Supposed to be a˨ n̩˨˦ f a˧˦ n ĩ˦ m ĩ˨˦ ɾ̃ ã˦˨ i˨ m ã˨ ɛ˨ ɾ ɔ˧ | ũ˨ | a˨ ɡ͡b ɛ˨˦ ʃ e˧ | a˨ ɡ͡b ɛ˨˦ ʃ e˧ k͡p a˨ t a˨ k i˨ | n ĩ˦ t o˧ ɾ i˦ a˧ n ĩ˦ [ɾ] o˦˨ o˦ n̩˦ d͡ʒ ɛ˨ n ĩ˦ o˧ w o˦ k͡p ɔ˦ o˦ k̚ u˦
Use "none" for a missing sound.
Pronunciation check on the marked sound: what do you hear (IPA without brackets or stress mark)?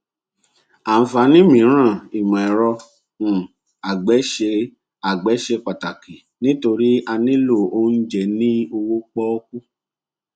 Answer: l